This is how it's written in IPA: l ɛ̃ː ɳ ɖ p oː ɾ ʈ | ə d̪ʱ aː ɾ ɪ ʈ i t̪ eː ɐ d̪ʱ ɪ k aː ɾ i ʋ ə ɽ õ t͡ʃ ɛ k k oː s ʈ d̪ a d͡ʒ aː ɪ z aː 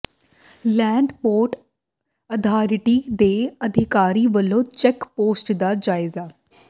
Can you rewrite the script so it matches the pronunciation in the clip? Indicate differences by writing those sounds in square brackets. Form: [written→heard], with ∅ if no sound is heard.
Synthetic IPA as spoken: l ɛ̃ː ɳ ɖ p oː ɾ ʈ | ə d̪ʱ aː ɾ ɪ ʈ i [t̪→d̪] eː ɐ d̪ʱ ɪ k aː ɾ i ʋ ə [ɽ→l] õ t͡ʃ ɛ k [k→p] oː s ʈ d̪ a d͡ʒ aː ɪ z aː